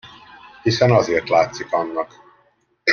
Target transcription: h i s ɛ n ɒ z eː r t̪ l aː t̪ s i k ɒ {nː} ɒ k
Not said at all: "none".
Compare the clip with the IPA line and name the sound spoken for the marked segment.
nː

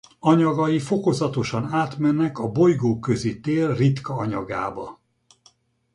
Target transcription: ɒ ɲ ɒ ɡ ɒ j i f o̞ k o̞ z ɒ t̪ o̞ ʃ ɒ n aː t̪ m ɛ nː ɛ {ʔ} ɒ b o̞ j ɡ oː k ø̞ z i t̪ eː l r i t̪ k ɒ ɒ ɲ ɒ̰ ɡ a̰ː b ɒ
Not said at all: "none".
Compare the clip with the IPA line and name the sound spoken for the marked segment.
k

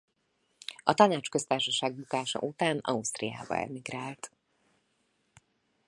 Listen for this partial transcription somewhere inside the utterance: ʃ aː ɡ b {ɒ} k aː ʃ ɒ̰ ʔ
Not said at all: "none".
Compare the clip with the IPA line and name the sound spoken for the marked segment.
u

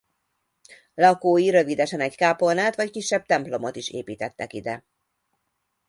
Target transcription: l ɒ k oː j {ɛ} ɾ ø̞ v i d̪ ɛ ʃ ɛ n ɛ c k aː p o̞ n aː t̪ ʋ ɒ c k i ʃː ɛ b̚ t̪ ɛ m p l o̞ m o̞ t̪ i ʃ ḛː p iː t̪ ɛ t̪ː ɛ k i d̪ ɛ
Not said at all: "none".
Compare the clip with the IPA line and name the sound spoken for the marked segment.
i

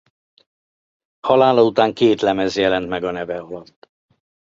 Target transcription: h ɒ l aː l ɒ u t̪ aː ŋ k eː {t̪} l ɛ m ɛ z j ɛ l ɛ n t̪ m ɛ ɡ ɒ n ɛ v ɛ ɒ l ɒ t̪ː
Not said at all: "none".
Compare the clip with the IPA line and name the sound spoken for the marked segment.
t̪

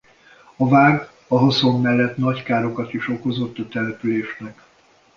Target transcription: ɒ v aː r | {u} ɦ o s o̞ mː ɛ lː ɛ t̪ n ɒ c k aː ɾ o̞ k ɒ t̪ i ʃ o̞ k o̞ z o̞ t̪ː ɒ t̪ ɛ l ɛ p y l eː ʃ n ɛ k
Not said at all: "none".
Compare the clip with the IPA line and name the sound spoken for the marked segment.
ɒ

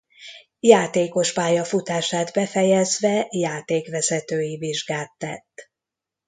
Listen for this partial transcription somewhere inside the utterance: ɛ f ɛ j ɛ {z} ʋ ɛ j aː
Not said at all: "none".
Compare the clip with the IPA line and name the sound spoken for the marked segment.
z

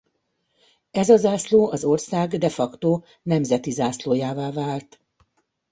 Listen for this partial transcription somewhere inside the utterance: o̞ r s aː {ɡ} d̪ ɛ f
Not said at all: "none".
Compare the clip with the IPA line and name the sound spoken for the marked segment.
ɡ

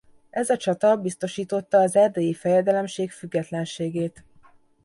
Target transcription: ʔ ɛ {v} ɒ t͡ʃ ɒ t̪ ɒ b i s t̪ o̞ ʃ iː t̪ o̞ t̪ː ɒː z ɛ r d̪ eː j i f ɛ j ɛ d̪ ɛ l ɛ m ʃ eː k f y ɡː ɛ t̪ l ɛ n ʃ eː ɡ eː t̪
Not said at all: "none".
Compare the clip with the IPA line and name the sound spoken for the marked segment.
z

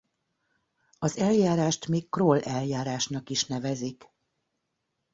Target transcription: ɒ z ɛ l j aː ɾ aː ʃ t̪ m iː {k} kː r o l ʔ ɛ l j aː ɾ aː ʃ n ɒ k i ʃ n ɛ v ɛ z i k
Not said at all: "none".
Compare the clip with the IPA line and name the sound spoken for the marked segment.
k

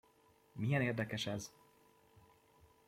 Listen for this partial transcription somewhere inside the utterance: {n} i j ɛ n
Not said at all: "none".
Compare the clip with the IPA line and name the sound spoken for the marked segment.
m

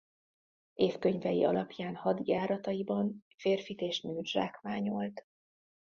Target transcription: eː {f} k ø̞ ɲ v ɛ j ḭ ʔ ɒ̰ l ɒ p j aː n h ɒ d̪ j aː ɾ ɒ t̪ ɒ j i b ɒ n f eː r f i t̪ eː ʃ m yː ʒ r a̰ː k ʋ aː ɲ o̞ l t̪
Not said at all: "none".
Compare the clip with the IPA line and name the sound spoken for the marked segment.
f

